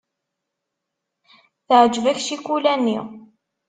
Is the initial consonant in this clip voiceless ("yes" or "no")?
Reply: yes